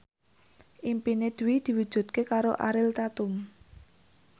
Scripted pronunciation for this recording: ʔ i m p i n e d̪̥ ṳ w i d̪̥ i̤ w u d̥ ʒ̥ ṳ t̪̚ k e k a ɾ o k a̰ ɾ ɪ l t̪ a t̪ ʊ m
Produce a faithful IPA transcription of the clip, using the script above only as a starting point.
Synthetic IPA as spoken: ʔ i m p i n e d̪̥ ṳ w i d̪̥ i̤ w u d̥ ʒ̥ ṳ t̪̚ k e k a ɾ o ʔ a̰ ɾ ɪ l t̪ a t̪ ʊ m